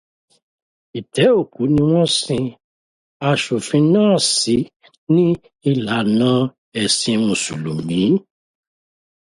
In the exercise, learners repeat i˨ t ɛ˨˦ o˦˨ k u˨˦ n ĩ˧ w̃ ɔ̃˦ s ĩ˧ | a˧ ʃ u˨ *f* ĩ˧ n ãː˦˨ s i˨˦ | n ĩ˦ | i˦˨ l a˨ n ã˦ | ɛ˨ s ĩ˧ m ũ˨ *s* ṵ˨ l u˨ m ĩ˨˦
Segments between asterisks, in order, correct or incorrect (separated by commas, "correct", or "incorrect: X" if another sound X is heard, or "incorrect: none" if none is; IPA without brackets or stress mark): correct, correct